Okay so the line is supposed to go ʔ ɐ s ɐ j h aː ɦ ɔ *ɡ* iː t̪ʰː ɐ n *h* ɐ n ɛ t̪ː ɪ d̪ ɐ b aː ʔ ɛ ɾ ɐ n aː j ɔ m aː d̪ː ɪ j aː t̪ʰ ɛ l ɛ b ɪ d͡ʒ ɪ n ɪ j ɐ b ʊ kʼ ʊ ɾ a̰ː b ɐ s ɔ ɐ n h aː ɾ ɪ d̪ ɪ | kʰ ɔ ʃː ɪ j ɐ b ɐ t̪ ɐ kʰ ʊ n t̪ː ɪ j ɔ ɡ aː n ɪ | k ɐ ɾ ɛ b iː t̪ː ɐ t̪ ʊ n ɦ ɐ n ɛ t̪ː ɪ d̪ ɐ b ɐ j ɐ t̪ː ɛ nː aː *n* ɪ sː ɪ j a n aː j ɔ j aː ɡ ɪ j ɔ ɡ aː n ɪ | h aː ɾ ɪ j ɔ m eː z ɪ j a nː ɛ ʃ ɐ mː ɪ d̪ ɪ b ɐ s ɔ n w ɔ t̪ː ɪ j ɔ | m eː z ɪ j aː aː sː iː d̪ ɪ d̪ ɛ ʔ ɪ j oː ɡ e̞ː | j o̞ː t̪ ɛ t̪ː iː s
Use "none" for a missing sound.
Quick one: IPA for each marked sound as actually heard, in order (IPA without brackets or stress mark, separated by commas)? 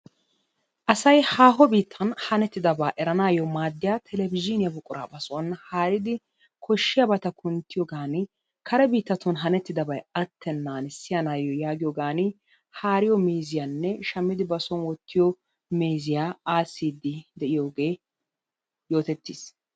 b, h, n